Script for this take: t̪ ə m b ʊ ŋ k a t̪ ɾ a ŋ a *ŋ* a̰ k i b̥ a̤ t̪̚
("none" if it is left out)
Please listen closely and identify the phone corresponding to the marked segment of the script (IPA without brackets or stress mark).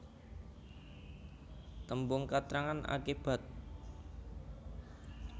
n